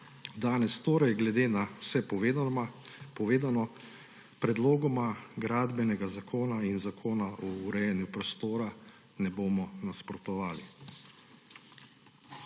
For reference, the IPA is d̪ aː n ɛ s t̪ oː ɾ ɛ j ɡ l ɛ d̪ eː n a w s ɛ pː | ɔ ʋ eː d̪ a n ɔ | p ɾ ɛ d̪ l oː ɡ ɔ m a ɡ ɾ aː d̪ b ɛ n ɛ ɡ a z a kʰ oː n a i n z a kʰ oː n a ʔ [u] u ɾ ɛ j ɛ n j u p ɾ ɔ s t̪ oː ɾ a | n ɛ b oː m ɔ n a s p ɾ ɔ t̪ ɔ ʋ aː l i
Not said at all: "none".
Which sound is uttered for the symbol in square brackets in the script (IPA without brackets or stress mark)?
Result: ɔ